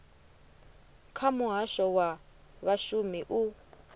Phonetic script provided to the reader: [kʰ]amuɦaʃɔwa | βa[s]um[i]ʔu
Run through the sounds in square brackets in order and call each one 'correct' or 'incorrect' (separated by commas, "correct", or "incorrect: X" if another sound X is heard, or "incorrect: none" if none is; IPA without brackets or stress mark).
correct, incorrect: ʃ, correct